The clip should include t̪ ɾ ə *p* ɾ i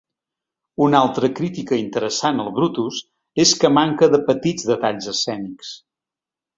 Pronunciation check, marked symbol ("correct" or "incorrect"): incorrect